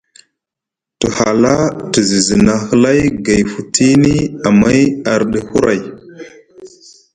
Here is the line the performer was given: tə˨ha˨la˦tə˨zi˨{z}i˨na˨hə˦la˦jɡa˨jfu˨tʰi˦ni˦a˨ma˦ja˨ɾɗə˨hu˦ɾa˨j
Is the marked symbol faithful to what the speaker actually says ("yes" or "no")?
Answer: yes